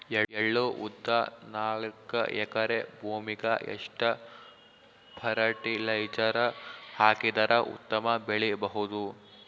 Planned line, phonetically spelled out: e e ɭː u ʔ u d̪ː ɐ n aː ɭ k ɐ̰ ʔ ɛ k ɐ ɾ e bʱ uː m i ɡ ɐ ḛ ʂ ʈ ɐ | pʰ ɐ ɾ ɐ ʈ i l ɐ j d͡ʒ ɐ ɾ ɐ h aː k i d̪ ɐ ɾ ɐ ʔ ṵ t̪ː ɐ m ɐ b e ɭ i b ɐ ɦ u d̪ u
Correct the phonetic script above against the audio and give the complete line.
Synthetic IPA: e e ɭː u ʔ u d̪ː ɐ n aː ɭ k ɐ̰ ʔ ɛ k ɐ ɾ e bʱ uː m i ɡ ɐ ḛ ʂ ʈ ɐ | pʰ ɐ ɾ ɐ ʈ i l ɐ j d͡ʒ ɐ ɾ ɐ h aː k i d̪ ɐ ɾ ɐ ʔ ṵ t̪ː ɐ m ɐ b e ɭ i b ɐ ɦ u d̪ u